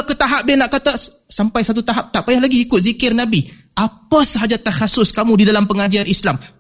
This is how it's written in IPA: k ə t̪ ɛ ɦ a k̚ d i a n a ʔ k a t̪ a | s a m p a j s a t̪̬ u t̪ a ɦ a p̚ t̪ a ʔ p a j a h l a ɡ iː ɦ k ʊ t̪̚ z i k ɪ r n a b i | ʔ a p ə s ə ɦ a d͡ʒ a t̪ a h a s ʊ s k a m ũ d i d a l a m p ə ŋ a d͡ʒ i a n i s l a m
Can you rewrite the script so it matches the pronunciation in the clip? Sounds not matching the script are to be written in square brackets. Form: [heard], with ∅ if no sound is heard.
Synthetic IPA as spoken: k ə t̪ [a] ɦ a [p̚] d i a n a ʔ k a t̪ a | s a m p a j s a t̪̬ u t̪ a ɦ a p̚ t̪ a ʔ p a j a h l a ɡ iː [∅] k ʊ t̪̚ z i k ɪ r n a b i | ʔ a p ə s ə ɦ a d͡ʒ a t̪ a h a s ʊ s k a m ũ d i d a l a m p ə ŋ a d͡ʒ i a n i s l a m